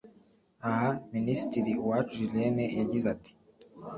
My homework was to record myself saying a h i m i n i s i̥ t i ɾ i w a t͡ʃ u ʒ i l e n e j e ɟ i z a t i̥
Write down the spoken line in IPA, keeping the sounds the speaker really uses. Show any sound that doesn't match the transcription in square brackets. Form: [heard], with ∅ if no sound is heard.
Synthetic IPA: a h [a] m i n i s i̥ t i ɾ i w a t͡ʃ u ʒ i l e n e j [a] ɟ i z a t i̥